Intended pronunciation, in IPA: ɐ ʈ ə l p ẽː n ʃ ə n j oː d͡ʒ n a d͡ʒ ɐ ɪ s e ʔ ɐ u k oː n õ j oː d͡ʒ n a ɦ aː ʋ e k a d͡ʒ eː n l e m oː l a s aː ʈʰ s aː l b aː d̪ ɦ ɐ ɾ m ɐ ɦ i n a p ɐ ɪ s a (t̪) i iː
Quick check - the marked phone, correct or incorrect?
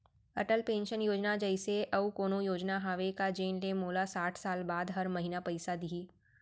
incorrect